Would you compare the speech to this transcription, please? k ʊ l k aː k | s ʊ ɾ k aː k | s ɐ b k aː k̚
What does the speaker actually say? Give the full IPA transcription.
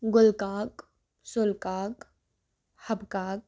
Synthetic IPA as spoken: ɡ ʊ l k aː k | s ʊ l k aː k | h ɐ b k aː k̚